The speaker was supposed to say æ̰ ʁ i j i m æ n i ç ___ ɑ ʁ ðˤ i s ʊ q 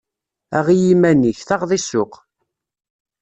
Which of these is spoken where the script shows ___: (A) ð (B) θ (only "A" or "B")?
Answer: B